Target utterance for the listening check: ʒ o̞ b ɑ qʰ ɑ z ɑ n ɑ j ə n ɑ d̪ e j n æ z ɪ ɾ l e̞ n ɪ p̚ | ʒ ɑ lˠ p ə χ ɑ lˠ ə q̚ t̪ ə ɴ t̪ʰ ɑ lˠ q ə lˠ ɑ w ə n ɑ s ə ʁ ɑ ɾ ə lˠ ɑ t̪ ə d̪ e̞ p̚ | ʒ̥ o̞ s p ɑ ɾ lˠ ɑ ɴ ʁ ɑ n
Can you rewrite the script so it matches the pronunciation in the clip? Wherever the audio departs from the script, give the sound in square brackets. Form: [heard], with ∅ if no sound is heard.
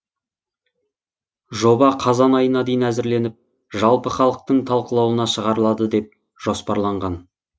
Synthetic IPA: ʒ o̞ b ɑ qʰ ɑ z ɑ n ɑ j ə n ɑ d̪ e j n æ z ɪ ɾ l e̞ n ɪ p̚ | ʒ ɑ lˠ p ə χ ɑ lˠ ə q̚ t̪ ə ɴ t̪ʰ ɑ lˠ q ə lˠ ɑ w ə n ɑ [ʃ] ə ʁ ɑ ɾ ə lˠ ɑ [d̪] ə d̪ e̞ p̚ | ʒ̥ o̞ s p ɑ ɾ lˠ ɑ ɴ ʁ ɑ n